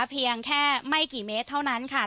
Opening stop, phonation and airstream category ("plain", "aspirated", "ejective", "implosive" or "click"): aspirated